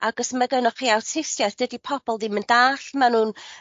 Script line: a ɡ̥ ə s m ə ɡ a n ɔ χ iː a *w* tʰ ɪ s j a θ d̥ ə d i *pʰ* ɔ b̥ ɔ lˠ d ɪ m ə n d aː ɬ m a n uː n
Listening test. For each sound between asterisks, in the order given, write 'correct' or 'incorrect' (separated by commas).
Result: correct, correct